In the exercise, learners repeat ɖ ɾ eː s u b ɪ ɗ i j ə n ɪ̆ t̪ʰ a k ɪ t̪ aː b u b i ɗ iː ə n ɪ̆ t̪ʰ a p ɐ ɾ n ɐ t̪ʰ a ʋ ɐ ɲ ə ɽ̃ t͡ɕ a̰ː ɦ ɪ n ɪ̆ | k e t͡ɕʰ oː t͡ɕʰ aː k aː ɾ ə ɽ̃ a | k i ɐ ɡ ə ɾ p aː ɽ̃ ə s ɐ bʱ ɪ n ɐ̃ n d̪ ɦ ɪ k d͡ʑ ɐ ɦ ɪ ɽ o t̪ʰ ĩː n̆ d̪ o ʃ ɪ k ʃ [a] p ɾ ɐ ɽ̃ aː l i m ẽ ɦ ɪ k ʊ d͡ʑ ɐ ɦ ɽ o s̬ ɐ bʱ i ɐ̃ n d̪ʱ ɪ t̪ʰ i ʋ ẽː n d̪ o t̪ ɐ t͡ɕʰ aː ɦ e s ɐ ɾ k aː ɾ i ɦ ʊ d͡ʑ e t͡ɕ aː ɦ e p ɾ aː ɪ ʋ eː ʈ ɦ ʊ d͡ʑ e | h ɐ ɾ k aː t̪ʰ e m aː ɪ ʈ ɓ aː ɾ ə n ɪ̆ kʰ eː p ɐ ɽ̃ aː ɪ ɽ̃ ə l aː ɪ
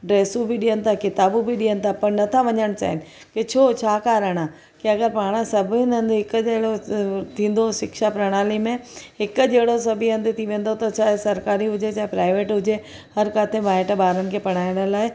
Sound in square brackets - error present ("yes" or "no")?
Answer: no